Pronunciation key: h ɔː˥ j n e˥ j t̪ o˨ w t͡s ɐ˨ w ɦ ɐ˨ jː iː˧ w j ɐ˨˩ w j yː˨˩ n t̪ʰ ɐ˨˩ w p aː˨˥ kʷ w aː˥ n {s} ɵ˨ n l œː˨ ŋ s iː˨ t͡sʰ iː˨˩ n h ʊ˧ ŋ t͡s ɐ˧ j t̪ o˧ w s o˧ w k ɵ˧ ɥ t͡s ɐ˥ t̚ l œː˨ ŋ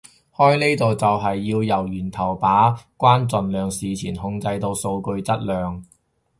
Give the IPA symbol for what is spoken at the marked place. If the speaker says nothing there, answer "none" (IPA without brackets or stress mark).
t͡s